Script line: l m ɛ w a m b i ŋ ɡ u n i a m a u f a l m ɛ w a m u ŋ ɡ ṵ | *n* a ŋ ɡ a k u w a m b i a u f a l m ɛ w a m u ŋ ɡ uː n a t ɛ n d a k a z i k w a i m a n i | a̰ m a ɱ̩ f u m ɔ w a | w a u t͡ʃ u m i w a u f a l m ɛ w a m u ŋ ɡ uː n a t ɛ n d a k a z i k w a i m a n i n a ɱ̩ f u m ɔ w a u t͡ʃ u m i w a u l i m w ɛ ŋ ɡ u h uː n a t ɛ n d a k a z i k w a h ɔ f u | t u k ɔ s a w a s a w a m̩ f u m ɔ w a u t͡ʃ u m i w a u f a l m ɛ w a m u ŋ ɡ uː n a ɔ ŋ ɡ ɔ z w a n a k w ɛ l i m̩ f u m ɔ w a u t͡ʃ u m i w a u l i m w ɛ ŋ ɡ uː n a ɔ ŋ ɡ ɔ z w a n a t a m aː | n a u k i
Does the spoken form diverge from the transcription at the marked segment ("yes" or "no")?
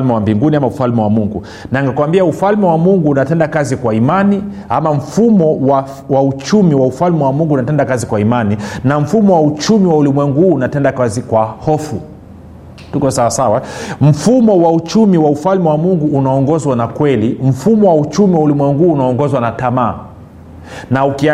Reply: no